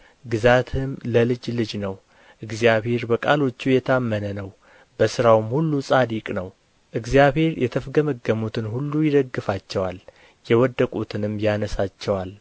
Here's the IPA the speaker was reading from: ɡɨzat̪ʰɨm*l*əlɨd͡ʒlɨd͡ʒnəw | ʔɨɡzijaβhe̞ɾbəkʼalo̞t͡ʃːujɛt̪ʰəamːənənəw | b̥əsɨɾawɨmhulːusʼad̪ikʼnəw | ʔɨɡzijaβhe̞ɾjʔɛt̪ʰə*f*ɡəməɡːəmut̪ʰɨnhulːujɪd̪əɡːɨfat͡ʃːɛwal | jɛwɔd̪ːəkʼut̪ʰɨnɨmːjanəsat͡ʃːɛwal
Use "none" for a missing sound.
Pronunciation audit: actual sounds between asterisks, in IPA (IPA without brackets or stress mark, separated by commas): l, f